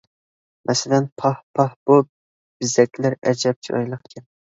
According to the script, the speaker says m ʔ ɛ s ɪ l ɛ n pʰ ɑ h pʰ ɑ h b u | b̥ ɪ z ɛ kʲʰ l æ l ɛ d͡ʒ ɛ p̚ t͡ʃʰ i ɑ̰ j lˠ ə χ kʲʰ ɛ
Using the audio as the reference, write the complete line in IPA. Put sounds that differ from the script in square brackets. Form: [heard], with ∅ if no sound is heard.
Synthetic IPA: m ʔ ɛ s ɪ l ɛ n pʰ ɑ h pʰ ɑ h b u | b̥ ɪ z ɛ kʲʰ l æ [ɾ] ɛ d͡ʒ ɛ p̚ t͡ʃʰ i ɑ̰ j lˠ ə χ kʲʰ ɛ